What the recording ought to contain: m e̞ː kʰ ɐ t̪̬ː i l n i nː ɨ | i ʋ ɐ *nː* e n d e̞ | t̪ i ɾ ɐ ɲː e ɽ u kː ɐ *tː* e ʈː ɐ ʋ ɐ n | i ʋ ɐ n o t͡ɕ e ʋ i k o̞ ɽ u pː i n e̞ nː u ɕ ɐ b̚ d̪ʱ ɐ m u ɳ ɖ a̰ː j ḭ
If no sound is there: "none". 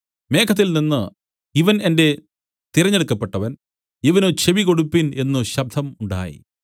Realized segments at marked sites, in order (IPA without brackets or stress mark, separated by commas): n, pː